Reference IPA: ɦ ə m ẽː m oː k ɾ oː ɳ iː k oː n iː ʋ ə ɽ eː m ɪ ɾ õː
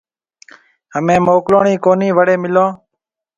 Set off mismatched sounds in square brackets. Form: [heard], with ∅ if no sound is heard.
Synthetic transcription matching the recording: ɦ ə m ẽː m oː k [l] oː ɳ iː k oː n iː ʋ ə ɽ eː m ɪ [l] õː